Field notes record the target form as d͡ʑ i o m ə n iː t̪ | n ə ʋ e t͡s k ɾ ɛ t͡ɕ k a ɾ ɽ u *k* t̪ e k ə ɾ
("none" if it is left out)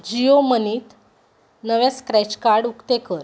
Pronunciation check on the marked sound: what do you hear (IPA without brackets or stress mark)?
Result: k